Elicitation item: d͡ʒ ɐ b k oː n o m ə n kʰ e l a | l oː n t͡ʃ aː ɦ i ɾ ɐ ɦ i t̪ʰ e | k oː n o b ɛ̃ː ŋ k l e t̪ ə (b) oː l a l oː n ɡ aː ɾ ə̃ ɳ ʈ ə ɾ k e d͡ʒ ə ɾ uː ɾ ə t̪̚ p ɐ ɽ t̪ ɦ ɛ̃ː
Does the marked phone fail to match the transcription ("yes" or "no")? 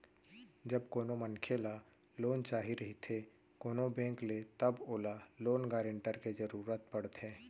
no